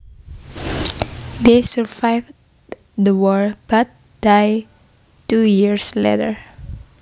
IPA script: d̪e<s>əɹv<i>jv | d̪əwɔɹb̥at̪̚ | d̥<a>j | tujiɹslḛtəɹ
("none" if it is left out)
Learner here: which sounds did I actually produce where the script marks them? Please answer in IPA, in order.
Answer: s, a, a

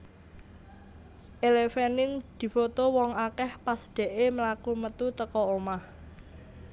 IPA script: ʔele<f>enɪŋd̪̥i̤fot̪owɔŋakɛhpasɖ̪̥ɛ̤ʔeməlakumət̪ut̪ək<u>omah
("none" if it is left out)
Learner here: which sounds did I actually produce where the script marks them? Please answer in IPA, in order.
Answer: f, ɔ

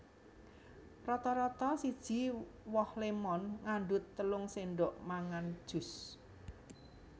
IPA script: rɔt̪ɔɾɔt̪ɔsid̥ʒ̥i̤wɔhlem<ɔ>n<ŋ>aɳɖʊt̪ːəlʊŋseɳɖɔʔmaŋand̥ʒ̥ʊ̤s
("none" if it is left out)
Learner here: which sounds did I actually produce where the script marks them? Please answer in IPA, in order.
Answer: ɔ, ŋ

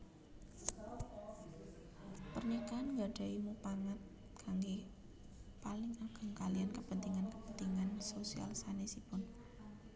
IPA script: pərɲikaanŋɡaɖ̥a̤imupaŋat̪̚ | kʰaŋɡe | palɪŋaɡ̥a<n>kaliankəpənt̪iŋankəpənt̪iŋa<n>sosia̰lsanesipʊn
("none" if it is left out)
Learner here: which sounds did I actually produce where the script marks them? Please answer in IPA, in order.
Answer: ŋ, n

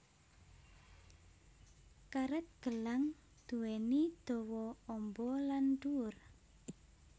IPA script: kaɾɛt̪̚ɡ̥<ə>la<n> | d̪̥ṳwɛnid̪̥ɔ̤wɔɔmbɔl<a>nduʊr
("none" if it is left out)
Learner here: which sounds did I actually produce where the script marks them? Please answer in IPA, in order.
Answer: ə, ŋ, a

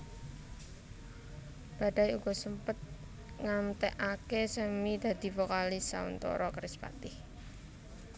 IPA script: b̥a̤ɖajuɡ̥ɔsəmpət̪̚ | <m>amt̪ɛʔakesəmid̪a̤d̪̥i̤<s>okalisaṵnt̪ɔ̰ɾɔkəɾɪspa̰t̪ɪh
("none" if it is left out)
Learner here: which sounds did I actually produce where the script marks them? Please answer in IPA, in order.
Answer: ŋ, f

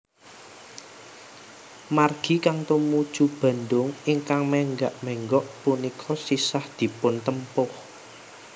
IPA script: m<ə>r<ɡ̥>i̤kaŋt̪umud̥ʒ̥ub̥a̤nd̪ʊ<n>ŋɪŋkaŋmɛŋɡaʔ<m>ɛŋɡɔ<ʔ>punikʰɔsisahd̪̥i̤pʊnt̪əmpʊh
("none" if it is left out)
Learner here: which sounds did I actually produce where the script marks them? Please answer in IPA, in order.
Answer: a, ɡ̥, none, m, ʔ

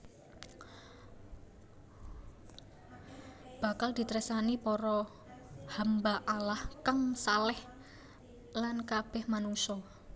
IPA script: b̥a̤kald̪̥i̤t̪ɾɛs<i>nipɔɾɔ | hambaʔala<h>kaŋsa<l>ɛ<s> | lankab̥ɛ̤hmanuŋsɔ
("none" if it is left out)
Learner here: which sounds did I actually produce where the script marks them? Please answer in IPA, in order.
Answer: a, h, l, h

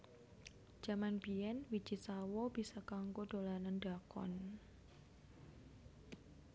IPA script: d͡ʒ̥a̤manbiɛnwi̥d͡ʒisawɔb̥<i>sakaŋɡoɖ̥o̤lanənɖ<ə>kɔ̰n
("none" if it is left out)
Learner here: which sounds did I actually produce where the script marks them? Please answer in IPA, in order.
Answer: i, a

